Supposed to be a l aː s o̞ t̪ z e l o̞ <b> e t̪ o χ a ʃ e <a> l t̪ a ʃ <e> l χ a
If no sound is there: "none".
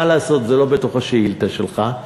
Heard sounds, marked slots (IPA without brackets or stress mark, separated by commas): b, i, e